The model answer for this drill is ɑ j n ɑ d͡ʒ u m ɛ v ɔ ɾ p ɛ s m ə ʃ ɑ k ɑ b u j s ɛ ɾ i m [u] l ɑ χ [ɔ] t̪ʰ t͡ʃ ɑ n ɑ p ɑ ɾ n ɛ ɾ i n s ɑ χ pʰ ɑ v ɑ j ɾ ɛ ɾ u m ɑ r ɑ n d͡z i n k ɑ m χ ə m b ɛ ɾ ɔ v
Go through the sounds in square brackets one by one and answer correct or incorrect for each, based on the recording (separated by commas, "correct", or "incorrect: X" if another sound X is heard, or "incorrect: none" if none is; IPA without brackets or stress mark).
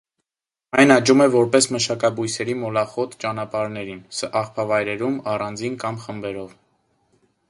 incorrect: ɔ, correct